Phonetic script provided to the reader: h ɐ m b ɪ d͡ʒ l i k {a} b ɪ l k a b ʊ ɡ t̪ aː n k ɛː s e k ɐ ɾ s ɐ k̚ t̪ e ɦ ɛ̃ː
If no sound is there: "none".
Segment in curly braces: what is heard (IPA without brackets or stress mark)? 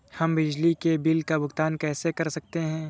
e